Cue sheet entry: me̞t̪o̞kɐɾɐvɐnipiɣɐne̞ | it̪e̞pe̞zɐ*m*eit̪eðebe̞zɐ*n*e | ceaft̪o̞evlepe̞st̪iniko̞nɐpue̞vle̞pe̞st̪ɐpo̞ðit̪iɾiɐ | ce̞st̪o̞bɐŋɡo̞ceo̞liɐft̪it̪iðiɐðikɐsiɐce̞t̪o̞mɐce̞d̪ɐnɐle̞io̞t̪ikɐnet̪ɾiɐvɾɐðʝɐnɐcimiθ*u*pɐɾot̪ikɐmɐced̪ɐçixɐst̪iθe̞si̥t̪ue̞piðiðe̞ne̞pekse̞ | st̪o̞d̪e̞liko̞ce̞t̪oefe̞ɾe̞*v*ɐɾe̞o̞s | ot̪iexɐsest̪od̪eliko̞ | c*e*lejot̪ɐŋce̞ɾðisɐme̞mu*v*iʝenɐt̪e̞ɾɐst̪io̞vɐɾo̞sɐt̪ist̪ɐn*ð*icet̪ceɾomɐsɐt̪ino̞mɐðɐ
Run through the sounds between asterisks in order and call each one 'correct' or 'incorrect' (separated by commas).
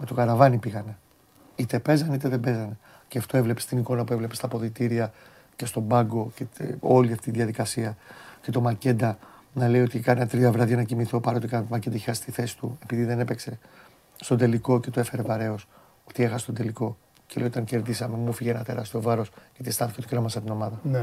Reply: incorrect, correct, incorrect, correct, correct, incorrect, incorrect